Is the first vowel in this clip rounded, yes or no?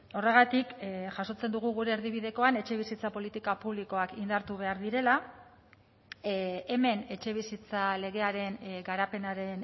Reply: yes